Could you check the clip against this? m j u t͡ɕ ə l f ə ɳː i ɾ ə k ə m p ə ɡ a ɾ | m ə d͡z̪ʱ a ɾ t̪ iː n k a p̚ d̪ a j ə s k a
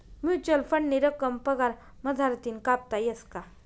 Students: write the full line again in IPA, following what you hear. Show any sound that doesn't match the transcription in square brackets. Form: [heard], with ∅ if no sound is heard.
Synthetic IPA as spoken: m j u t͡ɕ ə l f ə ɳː i ɾ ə k ə m p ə ɡ a ɾ | m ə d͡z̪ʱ a ɾ t̪ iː n k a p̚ [t̪] a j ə s k a